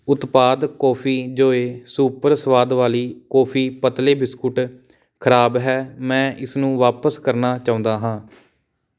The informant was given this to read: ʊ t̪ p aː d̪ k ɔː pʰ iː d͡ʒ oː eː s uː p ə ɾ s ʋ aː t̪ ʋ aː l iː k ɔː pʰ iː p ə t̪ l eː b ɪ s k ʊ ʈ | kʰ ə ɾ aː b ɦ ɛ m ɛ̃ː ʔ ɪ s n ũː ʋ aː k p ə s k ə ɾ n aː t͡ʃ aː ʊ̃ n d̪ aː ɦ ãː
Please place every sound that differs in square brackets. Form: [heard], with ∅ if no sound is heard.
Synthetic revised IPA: ʊ t̪ p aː d̪ k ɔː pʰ iː d͡ʒ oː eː s uː p ə ɾ s ʋ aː [d̪] ʋ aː l iː k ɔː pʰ iː p ə t̪ l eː b ɪ s k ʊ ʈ | kʰ ə ɾ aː b ɦ [ɛː] m ɛ̃ː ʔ ɪ s n ũː ʋ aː [∅] p ə s k ə ɾ n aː t͡ʃ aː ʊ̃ n d̪ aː ɦ ãː